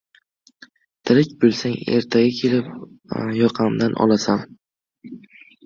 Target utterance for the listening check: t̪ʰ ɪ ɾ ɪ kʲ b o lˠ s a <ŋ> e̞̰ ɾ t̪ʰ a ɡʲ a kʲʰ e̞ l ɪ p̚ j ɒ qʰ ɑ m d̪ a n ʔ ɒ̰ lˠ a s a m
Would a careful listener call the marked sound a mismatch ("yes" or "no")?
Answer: no